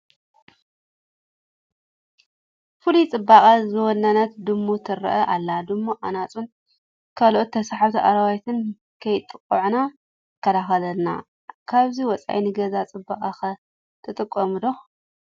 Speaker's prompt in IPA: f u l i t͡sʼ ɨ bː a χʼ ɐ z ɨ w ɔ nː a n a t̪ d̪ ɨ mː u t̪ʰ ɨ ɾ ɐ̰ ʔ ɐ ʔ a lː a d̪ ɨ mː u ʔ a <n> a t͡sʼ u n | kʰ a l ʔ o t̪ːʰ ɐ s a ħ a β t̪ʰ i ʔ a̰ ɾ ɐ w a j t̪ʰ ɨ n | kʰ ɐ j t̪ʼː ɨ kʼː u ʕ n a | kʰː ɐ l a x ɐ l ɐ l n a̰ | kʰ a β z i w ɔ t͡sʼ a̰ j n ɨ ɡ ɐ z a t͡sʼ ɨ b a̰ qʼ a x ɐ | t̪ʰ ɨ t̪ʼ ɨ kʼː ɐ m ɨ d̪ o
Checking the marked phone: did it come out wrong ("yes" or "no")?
no